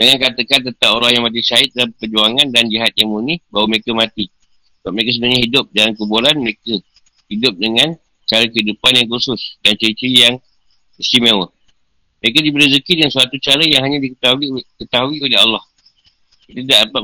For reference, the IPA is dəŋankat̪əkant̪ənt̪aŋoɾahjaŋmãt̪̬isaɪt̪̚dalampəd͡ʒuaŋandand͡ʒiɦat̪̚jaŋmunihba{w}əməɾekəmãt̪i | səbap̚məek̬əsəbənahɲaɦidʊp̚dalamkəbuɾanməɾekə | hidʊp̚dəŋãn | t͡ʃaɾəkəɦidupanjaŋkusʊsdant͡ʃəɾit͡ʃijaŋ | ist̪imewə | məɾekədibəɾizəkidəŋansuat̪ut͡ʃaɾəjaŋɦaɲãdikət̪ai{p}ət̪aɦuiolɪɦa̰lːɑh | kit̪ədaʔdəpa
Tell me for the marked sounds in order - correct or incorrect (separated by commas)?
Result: correct, incorrect